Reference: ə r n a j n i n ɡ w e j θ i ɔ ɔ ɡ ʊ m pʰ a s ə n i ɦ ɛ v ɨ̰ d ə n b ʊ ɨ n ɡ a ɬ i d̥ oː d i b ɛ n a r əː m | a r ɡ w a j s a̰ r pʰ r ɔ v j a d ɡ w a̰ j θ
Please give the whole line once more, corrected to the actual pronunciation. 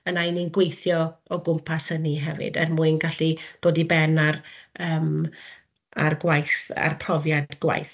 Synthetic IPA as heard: ə n a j n i n ɡ w e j θ j ɔ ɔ ɡ ʊ m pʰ a s ə n i ɦ ɛ v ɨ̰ d ə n m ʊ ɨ n ɡ a ɬ i d̥ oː d i b ɛ n a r əː m | a r ɡ w a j θ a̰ r pʰ r ɔ v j a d ɡ w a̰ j θ